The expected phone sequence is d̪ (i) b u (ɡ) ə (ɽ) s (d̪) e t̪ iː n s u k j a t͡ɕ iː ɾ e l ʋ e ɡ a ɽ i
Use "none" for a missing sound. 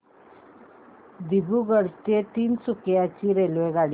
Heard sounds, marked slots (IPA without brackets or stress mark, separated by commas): i, ɡ, ɽ, t̪